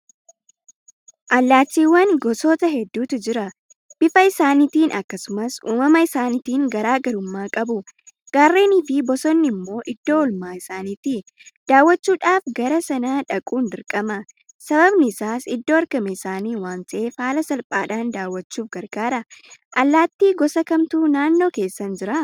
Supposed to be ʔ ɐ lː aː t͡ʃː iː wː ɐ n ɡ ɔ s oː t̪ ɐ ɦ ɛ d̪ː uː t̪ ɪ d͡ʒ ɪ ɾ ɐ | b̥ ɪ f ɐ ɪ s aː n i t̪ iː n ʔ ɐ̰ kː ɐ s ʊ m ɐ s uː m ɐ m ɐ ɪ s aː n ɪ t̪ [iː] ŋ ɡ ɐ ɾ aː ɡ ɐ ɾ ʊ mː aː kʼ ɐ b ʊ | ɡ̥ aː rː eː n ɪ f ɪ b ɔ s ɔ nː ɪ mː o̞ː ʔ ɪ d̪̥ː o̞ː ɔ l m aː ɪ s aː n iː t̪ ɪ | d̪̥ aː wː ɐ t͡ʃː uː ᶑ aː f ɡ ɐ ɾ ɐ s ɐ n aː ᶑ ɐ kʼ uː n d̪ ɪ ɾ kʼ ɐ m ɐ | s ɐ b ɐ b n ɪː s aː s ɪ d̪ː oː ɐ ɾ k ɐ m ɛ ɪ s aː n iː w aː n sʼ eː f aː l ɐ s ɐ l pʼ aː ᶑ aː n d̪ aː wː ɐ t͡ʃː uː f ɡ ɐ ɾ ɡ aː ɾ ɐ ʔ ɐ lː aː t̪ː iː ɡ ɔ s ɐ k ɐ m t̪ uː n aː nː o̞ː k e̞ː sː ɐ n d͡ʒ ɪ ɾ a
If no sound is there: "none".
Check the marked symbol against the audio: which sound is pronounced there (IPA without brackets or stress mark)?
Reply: iː